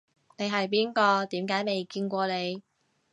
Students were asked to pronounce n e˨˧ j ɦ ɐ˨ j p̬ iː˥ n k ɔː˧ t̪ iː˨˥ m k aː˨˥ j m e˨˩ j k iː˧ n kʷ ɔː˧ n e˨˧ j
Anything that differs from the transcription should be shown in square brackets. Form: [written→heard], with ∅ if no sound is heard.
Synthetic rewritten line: n e˨˧ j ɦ ɐ˨ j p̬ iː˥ n k ɔː˧ t̪ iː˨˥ m k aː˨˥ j m e˨˩ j k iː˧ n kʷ ɔː˧ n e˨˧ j